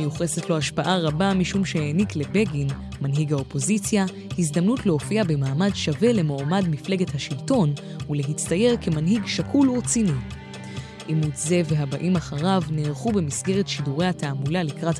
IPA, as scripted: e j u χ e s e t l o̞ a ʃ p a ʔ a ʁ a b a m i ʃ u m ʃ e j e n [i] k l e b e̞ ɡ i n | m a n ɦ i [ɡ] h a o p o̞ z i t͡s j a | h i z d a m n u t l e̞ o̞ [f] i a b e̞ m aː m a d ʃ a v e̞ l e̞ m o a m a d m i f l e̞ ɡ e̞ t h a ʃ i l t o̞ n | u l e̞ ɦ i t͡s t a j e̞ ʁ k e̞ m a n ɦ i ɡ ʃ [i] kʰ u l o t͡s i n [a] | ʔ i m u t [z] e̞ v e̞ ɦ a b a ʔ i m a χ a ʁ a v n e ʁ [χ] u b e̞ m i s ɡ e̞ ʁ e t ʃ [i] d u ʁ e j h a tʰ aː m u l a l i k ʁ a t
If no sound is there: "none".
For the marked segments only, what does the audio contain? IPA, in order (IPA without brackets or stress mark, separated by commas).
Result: i, ɡ, f, a, i, z, χ, i